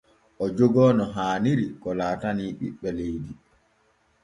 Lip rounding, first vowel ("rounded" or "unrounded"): rounded